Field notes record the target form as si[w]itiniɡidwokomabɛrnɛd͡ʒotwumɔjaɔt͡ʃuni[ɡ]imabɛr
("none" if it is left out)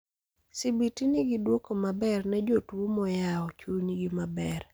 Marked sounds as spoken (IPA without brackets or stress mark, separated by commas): b, ɡ